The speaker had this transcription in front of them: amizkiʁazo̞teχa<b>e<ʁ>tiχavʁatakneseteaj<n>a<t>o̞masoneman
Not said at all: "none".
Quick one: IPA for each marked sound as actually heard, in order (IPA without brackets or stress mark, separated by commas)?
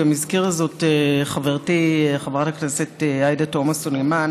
v, ʁ, d, t